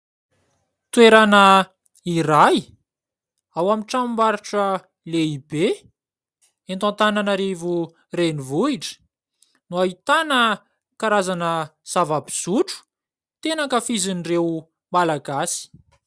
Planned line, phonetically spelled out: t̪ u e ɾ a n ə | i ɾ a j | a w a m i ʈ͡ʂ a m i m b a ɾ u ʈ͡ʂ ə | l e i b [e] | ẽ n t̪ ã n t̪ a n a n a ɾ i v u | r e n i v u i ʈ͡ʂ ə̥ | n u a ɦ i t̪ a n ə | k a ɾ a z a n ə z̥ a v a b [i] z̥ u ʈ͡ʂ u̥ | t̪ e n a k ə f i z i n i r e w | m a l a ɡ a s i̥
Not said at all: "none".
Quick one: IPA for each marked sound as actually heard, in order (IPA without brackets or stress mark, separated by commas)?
e, i